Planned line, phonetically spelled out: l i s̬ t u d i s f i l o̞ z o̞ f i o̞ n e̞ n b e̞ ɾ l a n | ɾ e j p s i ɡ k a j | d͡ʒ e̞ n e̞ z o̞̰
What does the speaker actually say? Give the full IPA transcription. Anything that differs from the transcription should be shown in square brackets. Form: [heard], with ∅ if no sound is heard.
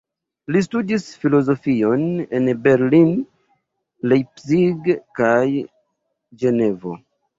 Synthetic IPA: l i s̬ t u d i s f i l o̞ z o̞ f i o̞ n e̞ n b e̞ ɾ l [i] n | [l] e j p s i ɡ k a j | d͡ʒ e̞ n e̞ [v] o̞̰